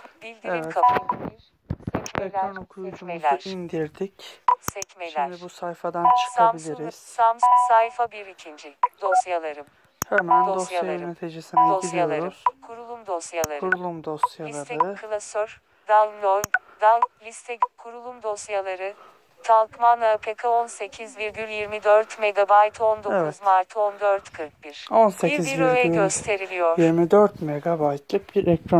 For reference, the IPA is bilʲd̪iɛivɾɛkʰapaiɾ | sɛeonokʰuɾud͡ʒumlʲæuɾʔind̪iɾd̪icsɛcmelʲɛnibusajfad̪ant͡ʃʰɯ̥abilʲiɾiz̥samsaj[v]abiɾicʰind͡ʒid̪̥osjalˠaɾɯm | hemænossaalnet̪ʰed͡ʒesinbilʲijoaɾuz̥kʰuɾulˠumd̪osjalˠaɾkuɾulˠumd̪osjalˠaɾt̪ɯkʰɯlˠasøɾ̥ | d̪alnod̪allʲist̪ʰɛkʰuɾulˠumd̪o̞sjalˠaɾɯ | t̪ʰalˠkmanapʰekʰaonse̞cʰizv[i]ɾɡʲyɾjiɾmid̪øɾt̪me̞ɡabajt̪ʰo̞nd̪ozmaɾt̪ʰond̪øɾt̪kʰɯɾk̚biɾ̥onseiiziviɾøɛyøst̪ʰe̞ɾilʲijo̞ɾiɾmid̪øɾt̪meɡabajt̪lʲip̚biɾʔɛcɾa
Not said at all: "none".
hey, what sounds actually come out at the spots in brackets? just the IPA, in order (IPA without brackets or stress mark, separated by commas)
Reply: f, i